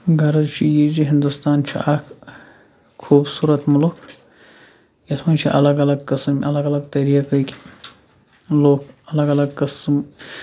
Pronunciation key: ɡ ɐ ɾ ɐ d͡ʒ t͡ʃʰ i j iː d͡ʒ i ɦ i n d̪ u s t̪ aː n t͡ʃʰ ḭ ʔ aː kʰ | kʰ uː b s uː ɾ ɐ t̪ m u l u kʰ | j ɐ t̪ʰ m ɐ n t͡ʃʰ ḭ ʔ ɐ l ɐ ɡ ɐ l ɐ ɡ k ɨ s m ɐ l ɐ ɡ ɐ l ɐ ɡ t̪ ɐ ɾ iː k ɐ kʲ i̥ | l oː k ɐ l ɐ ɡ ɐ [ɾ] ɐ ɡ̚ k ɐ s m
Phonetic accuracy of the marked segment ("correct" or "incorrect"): incorrect